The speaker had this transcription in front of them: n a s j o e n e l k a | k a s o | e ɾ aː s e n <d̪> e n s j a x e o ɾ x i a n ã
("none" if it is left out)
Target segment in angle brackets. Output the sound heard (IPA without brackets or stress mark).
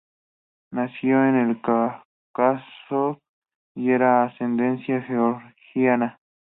d̪